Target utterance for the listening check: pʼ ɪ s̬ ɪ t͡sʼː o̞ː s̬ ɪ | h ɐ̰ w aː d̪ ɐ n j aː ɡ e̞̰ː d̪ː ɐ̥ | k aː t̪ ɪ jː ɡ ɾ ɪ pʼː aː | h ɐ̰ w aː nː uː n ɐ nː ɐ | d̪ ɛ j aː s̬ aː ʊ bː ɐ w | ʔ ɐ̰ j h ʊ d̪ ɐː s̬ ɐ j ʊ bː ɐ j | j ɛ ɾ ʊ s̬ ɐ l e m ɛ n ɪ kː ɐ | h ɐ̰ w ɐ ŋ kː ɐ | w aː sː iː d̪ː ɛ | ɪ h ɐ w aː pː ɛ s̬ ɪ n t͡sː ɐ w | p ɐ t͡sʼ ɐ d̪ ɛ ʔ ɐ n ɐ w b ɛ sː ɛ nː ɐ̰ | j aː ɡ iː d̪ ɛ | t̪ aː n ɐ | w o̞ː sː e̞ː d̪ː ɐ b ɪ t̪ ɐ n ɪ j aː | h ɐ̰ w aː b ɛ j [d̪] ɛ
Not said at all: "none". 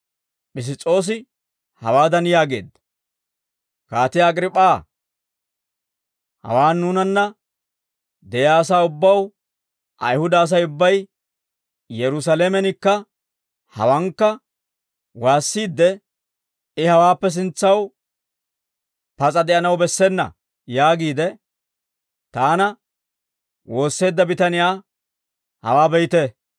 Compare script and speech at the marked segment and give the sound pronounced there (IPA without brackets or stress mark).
t̪